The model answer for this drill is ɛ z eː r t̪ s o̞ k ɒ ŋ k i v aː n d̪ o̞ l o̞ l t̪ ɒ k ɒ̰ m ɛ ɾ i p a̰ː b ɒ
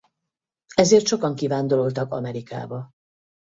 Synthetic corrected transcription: ɛ z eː r t̪ ʃ o̞ k ɒ ŋ k i v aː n d̪ o̞ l o̞ l t̪ ɒ k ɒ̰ m ɛ ɾ i k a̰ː b ɒ